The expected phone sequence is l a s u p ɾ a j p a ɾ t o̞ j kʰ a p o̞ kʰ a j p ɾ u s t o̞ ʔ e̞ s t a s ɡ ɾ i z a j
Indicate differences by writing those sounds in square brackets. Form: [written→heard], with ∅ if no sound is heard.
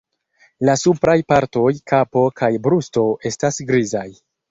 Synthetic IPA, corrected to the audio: l a s u p ɾ a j p a ɾ t o̞ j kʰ a p o̞ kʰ a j [p→b] ɾ u s t o̞ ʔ e̞ s t a s ɡ ɾ i z a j